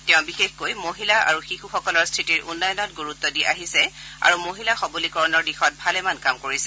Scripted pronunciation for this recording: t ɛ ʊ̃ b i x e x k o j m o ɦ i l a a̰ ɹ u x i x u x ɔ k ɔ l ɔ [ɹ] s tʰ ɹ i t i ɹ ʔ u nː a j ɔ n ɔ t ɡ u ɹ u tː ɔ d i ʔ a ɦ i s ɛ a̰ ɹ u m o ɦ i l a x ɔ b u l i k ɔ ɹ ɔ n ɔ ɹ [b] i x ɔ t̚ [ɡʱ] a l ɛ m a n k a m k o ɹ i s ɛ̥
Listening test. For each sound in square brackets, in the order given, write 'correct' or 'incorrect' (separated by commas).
correct, incorrect, incorrect